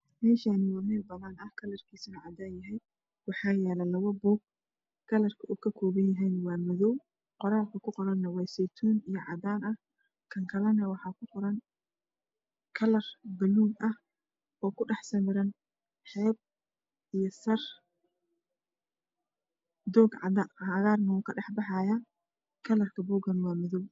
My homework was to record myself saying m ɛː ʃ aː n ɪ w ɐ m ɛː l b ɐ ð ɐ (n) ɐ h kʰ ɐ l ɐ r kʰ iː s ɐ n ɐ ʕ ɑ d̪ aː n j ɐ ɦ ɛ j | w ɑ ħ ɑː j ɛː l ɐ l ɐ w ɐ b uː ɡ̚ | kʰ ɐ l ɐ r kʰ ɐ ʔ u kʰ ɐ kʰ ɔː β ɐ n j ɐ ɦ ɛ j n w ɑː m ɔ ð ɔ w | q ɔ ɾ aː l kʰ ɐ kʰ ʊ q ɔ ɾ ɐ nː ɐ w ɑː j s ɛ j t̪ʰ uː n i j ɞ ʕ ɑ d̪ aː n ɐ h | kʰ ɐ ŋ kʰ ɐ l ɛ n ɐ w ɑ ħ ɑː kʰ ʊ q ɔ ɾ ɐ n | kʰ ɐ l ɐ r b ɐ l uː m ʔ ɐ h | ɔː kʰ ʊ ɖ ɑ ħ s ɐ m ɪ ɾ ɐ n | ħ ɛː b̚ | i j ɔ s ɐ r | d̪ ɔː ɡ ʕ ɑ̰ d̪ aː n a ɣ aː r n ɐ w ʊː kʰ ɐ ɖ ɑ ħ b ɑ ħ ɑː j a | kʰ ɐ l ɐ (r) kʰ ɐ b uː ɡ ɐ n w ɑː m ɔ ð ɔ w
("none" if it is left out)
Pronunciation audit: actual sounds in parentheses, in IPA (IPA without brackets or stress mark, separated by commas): n, r